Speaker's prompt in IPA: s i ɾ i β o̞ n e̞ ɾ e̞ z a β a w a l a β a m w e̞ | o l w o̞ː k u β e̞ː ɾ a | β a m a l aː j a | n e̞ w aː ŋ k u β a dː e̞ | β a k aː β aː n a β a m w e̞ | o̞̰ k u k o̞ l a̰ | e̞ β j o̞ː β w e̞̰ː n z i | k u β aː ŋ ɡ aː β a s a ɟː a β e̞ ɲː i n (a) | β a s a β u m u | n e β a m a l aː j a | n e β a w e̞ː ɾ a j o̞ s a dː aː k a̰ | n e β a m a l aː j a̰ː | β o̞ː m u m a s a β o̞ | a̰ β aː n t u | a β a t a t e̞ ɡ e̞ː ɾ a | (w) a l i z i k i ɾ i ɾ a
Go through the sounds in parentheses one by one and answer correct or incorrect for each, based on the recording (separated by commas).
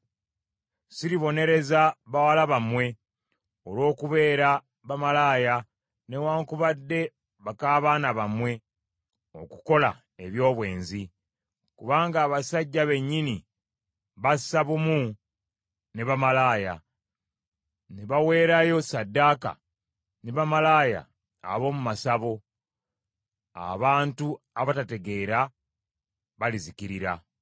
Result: incorrect, incorrect